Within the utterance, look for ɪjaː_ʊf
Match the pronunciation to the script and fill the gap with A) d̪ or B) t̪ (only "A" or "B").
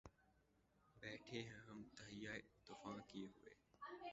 B